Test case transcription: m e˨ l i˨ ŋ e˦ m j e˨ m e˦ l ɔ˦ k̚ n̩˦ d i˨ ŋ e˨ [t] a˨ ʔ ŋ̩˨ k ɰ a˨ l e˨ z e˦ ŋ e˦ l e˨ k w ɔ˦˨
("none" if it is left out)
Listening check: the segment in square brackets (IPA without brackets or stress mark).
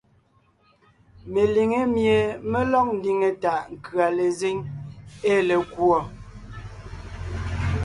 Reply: t